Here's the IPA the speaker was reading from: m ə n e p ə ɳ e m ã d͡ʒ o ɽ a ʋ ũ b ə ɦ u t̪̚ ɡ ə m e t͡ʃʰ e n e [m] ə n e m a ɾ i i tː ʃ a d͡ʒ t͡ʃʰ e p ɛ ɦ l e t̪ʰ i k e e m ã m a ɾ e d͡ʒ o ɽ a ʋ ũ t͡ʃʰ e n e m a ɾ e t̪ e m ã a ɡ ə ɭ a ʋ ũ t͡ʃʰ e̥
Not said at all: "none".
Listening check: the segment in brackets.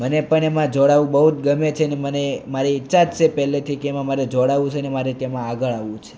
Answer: m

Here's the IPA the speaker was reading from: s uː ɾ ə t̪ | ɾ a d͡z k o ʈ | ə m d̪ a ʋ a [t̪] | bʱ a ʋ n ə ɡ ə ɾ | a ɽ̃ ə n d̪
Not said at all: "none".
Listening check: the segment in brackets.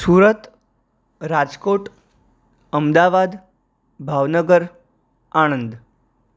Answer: d̪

